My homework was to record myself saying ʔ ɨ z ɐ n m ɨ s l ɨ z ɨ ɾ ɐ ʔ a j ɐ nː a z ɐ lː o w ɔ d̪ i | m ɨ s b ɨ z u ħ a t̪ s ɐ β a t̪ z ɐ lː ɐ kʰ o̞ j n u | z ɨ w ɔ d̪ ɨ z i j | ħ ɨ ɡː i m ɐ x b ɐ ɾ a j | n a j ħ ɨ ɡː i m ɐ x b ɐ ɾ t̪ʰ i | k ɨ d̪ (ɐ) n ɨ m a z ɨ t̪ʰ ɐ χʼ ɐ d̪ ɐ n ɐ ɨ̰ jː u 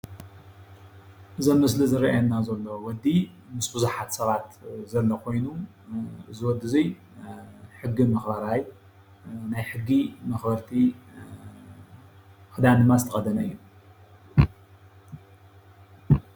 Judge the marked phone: incorrect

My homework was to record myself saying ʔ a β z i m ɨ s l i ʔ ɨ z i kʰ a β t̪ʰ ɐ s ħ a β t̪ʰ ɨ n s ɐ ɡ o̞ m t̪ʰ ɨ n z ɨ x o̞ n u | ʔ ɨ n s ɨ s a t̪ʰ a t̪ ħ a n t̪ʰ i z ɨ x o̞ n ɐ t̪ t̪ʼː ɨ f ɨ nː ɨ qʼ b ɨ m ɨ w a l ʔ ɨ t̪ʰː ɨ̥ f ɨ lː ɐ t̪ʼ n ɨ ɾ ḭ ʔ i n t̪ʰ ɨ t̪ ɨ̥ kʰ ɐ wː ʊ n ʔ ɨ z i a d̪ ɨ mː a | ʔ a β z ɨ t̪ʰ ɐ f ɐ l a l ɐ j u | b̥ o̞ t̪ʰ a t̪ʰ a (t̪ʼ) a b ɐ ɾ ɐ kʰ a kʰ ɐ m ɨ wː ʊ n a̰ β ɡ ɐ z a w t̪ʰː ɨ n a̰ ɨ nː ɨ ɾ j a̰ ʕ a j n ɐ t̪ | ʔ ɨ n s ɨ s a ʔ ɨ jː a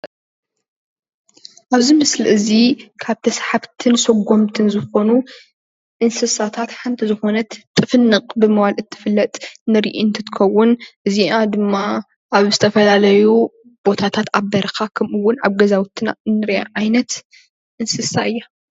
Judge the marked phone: incorrect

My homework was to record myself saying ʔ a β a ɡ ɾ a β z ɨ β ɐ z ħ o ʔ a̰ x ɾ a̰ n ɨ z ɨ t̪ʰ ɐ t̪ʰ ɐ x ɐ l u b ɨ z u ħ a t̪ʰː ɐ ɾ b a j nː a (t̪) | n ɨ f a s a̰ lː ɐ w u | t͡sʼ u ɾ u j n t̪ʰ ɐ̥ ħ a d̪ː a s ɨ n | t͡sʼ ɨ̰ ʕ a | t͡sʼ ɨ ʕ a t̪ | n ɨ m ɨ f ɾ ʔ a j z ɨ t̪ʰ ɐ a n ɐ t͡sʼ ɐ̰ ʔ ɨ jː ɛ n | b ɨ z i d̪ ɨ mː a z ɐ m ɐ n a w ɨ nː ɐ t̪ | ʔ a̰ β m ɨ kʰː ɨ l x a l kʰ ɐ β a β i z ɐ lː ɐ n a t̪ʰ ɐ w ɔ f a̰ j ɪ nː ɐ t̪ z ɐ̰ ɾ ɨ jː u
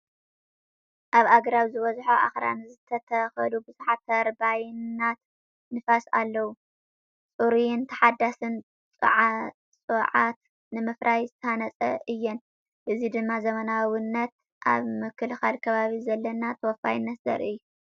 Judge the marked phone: correct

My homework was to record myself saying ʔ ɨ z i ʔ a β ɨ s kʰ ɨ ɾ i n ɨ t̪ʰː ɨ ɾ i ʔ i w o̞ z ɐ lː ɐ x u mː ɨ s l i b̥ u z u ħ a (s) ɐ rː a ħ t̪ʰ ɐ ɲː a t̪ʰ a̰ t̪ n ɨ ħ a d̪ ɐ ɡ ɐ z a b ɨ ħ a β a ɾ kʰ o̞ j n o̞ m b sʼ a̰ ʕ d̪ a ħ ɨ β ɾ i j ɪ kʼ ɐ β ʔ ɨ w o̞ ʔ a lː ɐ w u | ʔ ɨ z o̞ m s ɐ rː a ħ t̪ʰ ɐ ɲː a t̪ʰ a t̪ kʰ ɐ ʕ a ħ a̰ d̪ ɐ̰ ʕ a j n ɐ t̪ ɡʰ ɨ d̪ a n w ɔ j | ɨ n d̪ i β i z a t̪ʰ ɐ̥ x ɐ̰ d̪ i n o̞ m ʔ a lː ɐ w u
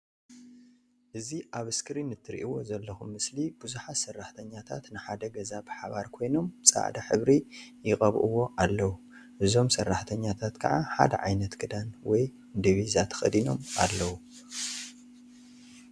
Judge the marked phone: correct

